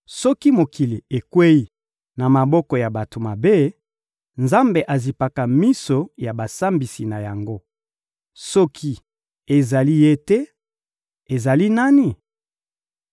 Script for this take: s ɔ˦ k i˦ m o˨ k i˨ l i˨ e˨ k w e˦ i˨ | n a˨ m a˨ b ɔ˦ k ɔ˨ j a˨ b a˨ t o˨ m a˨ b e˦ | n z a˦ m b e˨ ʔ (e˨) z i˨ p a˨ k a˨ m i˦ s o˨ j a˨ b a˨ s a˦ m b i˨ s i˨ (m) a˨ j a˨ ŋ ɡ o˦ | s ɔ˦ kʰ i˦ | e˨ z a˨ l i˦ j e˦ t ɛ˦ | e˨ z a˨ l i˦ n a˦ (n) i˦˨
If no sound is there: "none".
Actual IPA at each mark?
a˨, n, n

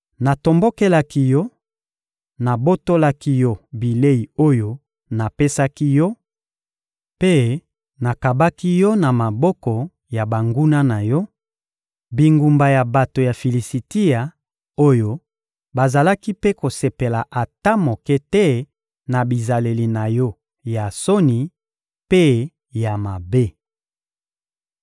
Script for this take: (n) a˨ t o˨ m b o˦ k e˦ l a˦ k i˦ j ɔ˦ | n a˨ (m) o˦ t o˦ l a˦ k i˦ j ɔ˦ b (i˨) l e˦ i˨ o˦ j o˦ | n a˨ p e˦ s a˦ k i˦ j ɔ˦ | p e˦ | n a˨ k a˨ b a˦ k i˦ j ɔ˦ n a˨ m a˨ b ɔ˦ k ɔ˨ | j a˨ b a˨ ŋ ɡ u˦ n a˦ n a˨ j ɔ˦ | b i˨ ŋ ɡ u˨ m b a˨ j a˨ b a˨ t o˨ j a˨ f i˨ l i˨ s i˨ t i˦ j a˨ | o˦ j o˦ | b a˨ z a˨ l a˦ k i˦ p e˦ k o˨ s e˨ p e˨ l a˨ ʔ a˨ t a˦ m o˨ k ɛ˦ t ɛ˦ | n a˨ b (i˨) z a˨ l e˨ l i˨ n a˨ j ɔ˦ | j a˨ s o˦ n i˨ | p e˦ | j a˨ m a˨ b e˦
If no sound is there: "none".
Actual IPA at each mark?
n, b, i˨, i˨

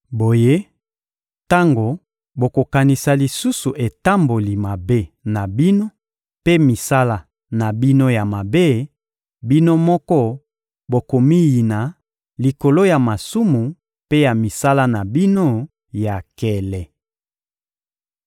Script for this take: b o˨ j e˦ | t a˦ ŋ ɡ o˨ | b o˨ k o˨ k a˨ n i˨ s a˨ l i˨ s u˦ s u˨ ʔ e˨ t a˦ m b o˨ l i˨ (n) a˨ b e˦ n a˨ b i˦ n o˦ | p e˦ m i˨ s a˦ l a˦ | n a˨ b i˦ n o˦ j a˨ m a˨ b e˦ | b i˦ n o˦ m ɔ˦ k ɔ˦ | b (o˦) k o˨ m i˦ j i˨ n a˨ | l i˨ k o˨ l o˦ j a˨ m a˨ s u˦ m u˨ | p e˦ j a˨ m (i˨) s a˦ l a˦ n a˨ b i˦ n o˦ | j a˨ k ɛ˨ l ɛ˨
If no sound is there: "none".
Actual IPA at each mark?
m, o˨, i˨

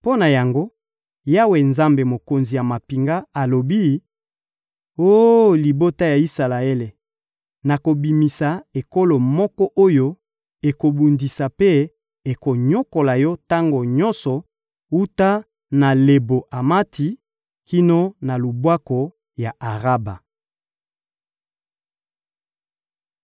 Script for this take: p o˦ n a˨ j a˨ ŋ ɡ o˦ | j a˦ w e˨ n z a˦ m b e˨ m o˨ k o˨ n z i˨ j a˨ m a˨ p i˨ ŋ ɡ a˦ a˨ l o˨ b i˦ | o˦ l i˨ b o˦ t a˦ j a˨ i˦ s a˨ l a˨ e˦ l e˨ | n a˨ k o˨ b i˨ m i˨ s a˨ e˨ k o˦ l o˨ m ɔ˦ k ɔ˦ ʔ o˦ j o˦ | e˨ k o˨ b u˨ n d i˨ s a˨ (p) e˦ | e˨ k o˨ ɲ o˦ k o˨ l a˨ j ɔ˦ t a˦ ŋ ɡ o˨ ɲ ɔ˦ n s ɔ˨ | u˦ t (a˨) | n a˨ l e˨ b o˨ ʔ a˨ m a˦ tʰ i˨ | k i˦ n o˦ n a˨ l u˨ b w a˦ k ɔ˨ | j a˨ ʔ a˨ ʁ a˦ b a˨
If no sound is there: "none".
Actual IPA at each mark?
p, a˦

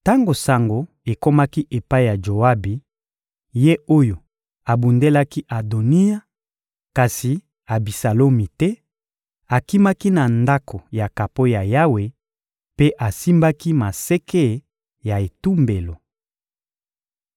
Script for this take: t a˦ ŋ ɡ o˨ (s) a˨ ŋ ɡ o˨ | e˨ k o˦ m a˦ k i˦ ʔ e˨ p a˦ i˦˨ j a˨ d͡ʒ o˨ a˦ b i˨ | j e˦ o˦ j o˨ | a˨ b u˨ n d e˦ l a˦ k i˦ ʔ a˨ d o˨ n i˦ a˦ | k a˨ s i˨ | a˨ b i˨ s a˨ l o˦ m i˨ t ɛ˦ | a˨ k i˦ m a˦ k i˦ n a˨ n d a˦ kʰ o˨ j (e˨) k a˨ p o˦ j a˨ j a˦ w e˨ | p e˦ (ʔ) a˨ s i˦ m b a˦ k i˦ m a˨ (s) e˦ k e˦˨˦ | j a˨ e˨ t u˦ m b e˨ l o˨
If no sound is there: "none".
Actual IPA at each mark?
s, a˨, ʔ, s

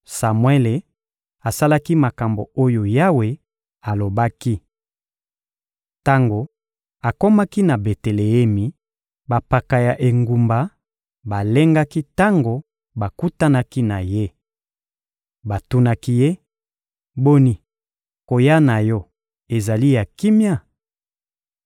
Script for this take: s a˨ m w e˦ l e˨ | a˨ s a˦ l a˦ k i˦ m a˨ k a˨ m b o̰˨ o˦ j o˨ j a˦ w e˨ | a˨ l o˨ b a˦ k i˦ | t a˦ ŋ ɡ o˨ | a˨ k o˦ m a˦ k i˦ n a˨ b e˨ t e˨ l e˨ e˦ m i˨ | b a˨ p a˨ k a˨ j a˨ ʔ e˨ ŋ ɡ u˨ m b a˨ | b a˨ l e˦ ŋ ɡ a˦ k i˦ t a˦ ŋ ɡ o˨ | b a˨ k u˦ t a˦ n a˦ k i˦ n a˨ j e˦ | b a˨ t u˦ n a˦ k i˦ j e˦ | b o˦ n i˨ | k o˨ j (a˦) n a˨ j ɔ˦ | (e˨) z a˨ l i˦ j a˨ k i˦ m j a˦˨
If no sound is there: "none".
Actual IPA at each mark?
a˦, e˨

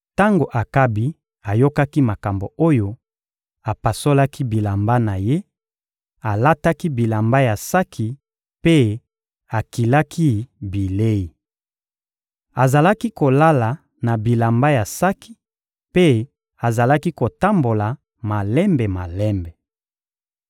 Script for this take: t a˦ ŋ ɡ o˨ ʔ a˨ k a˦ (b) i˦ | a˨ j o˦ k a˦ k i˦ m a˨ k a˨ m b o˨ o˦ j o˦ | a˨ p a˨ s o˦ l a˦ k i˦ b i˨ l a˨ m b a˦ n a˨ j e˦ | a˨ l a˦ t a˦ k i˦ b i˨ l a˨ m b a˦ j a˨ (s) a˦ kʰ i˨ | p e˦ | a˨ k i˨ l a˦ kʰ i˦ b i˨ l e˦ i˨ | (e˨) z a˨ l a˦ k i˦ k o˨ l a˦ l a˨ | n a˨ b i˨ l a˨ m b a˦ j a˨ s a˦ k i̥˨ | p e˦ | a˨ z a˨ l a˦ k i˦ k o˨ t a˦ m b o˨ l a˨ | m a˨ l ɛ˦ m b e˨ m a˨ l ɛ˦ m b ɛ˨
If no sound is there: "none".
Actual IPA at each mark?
b, s, a˨

